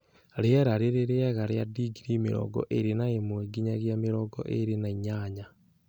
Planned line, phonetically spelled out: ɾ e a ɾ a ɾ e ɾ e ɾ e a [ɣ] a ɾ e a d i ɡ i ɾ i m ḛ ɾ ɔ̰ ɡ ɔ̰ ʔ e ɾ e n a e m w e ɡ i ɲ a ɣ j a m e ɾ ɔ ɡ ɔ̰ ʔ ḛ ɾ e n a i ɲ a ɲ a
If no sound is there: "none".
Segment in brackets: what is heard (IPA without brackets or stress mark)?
ɣ